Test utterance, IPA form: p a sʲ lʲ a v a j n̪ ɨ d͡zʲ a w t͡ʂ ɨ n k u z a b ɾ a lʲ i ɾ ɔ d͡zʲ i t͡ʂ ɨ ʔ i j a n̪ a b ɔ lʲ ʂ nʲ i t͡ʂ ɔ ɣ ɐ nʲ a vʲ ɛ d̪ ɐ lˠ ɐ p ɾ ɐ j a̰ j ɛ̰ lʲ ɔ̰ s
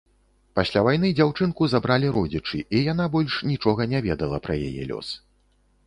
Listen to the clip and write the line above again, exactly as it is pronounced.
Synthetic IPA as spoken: p a sʲ lʲ a v a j n̪ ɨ d͡zʲ a w t͡ʂ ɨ n k u z a b ɾ a lʲ i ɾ ɔ d͡zʲ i t͡ʂ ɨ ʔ i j a n̪ a b ɔ lʲ ʂ nʲ i t͡ʂ ɔ ɣ ɐ nʲ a vʲ ɛ d̪ ɐ lˠ ɐ p ɾ ɐ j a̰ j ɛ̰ lʲ ɔ̰ s

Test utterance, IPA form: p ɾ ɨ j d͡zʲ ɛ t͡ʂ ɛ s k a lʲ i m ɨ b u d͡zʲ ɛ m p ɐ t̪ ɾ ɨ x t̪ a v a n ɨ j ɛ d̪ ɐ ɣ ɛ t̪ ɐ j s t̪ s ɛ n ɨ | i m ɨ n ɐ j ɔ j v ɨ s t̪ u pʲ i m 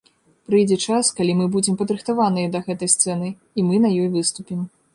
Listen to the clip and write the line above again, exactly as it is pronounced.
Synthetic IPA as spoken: p ɾ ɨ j d͡zʲ ɛ t͡ʂ a s k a lʲ i m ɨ b u d͡zʲ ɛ m p ɐ d̪ ɾ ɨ x t̪ a v a n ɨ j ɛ d̪ ɐ ɣ ɛ t̪ ɐ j s t̪ s ɛ n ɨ | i m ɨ n ɐ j ɔ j v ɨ s t̪ u pʲ i m

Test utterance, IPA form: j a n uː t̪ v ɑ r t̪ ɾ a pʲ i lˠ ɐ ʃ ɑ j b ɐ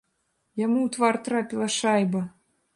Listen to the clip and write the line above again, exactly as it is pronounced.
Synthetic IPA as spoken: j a m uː t̪ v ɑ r t̪ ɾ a pʲ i lˠ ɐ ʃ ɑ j b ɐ

